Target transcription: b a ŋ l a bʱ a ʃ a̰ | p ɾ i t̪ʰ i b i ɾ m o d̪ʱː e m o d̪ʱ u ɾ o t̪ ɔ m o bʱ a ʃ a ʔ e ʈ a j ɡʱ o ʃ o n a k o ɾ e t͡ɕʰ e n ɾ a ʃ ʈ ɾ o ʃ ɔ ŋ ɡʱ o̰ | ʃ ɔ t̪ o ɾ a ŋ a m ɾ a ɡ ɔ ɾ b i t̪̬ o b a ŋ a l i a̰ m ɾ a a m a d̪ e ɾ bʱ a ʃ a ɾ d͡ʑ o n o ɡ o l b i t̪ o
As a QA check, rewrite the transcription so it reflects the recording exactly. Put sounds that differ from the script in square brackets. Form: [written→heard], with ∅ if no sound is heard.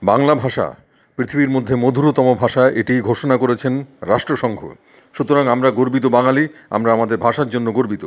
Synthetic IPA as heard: b a ŋ l a bʱ a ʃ a̰ | p ɾ i t̪ʰ i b i ɾ m o d̪ʱː e m o d̪ʱ u ɾ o t̪ ɔ m o bʱ a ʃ a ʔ e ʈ [a→i] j ɡʱ o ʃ o n a k o ɾ e t͡ɕʰ e n ɾ a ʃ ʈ ɾ o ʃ ɔ ŋ ɡʱ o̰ | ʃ [ɔ→u] t̪ o ɾ a ŋ a m ɾ a ɡ [ɔ→o] ɾ b i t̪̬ o b a ŋ a l i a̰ m ɾ a a m a d̪ e ɾ bʱ a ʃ a ɾ d͡ʑ o [n→nː] o ɡ o [l→ɾ] b i t̪ o